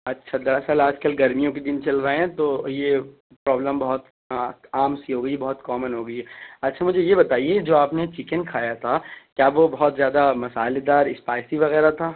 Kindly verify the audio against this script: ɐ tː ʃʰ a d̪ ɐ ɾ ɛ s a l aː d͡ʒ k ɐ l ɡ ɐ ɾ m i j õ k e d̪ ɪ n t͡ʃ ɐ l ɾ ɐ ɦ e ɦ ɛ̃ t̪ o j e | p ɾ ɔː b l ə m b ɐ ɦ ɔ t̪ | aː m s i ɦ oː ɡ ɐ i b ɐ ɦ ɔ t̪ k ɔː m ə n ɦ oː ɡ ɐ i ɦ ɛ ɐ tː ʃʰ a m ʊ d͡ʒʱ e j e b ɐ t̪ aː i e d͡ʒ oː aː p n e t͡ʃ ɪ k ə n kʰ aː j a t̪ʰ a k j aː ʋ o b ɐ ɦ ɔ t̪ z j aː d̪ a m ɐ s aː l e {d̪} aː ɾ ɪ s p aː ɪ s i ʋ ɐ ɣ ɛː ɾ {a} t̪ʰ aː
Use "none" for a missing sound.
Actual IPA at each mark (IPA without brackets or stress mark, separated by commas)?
d̪, a